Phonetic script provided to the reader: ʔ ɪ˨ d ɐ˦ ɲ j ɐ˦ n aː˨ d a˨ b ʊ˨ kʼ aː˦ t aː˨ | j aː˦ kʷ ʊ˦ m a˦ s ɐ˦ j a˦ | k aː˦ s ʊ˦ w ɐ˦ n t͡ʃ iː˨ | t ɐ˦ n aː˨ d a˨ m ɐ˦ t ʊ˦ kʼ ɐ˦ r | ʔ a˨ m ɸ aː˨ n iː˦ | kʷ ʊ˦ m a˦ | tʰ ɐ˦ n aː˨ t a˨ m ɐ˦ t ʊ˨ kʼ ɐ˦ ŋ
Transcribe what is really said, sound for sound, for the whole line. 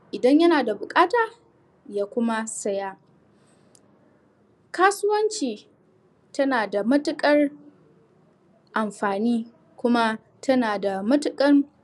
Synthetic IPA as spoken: ʔ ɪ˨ d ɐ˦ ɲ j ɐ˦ n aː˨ d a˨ b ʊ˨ kʼ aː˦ t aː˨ | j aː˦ kʷ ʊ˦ m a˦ s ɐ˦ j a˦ | k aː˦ s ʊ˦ w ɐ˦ n t͡ʃ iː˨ | t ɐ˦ n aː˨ d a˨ m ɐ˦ t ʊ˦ kʼ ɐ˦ r | ʔ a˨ m ɸ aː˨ n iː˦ | kʷ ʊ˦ m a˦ | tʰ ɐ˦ n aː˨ d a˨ m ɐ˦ t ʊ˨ kʼ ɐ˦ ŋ

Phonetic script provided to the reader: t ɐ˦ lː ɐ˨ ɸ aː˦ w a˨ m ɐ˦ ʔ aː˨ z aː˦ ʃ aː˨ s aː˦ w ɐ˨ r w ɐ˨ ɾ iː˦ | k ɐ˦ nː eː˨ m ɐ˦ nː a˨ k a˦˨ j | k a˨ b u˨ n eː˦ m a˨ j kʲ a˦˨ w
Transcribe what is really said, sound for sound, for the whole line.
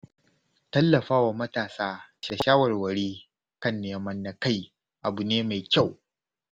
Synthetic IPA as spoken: t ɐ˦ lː ɐ˨ ɸ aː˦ w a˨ m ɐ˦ t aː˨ s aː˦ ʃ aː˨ ʃ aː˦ w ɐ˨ r w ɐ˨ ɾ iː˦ | k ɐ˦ nː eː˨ m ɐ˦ nː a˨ k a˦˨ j | ʔ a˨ b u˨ n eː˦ m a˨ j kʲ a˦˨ w

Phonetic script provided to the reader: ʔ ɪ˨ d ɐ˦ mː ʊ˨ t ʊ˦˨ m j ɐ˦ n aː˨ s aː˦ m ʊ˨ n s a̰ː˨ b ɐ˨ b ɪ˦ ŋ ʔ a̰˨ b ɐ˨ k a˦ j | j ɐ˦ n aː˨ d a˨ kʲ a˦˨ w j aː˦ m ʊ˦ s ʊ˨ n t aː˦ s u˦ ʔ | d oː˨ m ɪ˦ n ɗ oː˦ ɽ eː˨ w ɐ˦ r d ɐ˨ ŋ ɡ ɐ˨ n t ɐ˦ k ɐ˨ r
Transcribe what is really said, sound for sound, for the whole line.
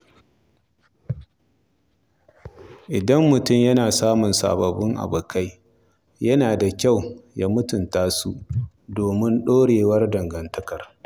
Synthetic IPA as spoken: ʔ ɪ˨ d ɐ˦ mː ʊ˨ t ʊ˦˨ m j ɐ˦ n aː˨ s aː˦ m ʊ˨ n s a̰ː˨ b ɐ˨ b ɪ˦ ŋ ʔ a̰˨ b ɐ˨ k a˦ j | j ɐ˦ n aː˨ d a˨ kʲ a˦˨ w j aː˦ m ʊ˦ t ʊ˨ n t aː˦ s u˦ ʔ | d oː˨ m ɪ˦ n ɗ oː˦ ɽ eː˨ w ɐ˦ r d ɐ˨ ŋ ɡ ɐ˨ n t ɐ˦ k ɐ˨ r

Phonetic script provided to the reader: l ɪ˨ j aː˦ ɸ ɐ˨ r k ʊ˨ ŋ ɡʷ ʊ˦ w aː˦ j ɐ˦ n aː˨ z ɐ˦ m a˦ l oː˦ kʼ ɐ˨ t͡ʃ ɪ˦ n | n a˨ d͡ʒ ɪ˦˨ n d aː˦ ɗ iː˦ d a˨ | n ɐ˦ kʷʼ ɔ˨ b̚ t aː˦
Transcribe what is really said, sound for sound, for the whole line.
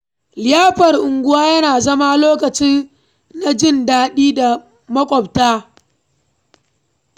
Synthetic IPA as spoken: l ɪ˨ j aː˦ ɸ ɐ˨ r ʔ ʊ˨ ŋ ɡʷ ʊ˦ w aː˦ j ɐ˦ n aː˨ z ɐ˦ m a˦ l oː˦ k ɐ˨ t͡ʃ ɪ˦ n | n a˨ d͡ʒ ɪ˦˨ n d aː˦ ɗ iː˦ d a˨ | m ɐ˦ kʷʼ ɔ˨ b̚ t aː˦

